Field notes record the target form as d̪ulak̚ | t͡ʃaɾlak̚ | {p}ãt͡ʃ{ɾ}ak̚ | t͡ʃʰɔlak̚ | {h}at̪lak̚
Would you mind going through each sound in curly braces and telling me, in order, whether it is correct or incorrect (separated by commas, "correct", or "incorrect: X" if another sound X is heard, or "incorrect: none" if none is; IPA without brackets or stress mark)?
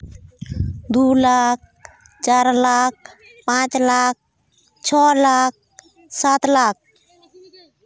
correct, incorrect: l, incorrect: s